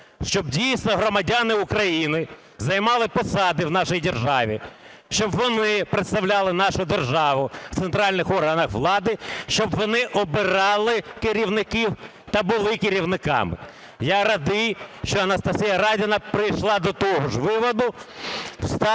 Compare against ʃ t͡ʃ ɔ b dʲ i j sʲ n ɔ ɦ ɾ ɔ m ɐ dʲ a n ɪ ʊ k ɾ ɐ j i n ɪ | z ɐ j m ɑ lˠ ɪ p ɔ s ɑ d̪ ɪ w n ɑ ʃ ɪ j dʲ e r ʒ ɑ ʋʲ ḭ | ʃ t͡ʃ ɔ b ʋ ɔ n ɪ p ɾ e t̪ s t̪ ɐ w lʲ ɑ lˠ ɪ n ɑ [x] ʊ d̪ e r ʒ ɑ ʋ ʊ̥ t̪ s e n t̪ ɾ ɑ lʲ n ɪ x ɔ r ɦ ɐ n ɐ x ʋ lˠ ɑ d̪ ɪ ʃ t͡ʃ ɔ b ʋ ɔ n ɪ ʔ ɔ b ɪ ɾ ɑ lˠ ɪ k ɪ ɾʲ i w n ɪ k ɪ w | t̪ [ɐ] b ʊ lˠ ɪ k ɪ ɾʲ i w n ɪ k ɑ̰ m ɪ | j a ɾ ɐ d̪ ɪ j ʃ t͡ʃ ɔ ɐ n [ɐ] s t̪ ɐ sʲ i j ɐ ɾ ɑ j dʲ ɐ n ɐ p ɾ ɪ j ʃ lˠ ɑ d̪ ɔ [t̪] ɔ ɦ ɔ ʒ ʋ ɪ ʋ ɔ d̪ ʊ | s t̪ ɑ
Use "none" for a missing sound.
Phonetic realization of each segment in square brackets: ʃ, ɐ, ɐ, t̪

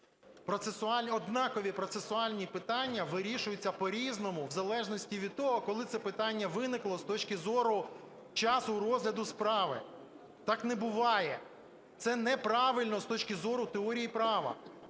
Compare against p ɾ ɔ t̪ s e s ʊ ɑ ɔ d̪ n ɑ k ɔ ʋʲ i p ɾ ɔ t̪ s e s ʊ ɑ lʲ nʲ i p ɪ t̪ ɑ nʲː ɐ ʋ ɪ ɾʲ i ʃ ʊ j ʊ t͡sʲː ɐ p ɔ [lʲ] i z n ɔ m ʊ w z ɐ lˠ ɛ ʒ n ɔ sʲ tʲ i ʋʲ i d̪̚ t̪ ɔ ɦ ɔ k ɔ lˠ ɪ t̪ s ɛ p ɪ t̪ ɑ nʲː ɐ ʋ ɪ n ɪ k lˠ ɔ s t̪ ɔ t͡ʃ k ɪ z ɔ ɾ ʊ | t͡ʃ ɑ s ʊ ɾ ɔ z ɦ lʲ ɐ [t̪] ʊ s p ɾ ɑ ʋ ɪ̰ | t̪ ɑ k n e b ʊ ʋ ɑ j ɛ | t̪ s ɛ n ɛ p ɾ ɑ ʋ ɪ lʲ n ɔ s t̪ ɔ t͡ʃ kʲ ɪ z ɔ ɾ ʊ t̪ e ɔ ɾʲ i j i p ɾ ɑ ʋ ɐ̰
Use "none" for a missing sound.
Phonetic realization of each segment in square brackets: ɾʲ, d̪

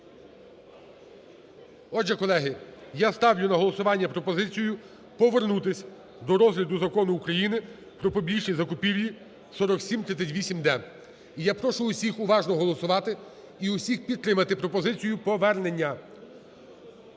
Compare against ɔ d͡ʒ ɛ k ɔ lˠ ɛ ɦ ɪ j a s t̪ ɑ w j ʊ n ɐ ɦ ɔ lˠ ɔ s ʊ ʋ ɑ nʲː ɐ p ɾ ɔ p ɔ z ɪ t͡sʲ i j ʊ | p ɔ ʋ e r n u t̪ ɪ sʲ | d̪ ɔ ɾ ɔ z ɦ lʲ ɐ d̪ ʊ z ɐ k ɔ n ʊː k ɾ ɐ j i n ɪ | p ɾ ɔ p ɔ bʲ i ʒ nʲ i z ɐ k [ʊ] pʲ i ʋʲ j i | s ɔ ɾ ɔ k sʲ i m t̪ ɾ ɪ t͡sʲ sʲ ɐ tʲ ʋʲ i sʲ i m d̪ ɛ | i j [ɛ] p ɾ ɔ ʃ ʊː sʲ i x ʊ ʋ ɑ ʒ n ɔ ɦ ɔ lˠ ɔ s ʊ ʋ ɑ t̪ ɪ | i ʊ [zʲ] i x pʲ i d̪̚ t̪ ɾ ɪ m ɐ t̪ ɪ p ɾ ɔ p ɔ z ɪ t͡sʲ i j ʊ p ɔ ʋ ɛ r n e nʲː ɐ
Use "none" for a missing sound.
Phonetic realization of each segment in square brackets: ʊ, a, sʲ

